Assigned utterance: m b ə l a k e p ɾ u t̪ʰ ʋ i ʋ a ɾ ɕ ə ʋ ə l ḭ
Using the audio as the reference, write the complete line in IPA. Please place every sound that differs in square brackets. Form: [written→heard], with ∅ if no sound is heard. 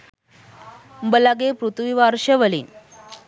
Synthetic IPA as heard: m b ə l a [k→ɡ] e p ɾ u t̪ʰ ʋ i ʋ a ɾ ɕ ə ʋ ə l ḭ